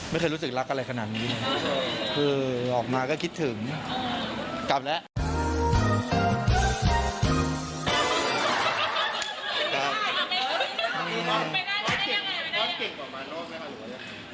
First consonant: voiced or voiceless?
voiced